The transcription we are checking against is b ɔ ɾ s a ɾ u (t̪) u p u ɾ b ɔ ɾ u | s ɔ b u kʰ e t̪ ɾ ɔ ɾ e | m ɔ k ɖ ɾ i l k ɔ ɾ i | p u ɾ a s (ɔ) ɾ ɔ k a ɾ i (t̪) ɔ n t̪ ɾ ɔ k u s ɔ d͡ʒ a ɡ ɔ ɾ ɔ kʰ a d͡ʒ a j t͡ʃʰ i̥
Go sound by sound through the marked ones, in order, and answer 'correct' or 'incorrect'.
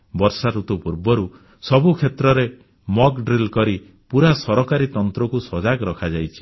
correct, correct, correct

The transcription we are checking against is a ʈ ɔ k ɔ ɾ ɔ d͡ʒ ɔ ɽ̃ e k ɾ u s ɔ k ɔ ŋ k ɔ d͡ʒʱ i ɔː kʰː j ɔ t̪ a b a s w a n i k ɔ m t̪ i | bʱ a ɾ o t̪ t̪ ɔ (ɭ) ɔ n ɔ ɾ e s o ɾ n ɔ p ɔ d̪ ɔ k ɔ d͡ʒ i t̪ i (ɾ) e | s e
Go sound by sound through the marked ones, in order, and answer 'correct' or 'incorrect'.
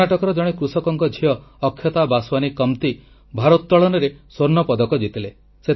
correct, incorrect

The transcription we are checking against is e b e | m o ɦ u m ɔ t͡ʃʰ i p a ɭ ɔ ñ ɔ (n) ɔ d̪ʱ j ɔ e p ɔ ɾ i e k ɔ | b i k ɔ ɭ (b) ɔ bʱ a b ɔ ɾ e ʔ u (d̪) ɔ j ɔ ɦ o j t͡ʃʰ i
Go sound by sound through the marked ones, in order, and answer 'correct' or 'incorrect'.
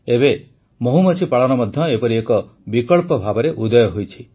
incorrect, incorrect, correct

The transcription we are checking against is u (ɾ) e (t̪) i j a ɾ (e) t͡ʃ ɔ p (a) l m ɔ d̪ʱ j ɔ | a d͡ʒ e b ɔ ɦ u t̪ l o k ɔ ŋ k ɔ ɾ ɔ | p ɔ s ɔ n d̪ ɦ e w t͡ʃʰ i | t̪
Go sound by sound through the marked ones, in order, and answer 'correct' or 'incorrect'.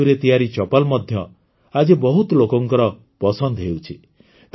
correct, correct, incorrect, correct

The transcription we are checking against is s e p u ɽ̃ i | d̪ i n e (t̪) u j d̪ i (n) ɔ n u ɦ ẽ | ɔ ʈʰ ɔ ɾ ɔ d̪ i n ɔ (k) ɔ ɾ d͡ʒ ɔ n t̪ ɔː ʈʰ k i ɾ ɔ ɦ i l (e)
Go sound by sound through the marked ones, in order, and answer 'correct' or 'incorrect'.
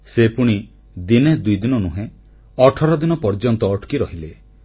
incorrect, correct, incorrect, correct

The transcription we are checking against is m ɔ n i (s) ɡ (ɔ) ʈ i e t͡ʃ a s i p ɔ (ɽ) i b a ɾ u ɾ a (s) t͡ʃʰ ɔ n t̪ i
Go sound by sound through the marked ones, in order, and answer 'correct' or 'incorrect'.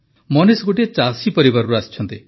correct, incorrect, incorrect, correct

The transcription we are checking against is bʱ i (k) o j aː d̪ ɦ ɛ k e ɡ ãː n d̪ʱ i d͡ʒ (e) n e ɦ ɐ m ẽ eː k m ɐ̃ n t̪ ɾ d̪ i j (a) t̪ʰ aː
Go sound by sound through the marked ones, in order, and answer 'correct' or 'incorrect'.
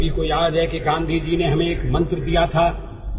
correct, incorrect, correct

